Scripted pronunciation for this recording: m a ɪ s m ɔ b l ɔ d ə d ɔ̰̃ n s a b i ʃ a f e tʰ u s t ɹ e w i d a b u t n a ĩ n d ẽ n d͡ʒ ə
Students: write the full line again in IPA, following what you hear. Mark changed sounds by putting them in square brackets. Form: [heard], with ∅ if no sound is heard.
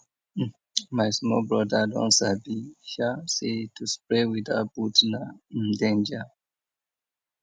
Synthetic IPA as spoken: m a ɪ s m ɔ b [ɹ] ɔ d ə d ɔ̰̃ n s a b i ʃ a [s] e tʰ u s [p] ɹ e w i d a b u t n a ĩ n d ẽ n d͡ʒ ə